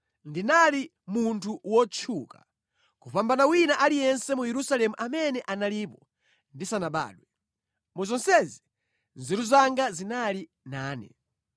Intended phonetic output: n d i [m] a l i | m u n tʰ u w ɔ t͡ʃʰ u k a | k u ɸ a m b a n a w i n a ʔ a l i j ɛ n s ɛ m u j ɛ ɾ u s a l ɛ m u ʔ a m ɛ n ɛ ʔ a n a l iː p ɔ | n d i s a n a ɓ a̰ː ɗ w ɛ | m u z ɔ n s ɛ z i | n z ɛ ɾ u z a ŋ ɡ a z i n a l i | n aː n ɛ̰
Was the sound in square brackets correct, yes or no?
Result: no